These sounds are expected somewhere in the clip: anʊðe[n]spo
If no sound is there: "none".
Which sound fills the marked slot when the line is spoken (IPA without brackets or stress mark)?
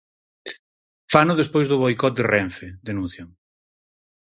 none